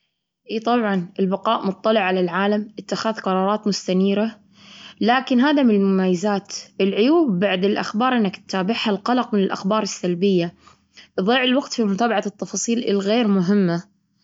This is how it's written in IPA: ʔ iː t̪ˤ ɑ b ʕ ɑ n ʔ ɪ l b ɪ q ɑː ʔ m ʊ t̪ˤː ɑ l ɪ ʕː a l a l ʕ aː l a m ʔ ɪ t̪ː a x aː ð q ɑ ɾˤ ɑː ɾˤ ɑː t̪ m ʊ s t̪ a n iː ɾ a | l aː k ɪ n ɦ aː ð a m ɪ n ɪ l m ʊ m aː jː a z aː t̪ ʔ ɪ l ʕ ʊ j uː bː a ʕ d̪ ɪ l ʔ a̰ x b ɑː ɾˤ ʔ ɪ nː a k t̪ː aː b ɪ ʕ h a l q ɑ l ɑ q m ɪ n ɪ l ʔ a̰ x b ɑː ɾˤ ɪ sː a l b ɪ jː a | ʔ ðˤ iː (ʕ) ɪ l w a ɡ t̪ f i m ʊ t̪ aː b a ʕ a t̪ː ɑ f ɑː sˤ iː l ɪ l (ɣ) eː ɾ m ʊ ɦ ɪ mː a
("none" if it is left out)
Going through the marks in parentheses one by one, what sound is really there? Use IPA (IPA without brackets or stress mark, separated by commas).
ʕ, ɣ